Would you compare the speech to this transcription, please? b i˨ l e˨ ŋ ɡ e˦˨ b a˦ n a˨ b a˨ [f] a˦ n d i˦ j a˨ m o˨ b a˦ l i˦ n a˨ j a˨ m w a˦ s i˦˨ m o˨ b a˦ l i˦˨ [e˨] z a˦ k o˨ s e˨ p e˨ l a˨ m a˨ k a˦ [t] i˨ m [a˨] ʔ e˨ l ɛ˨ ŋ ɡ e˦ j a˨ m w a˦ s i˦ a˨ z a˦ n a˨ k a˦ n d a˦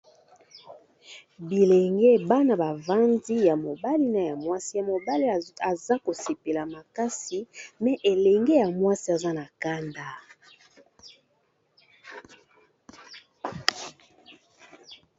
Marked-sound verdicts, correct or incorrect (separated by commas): incorrect, incorrect, incorrect, incorrect